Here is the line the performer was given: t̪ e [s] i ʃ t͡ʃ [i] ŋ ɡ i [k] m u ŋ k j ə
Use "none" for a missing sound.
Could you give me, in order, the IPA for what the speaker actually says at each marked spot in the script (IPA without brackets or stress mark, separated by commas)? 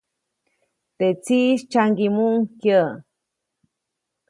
t͡s, a, none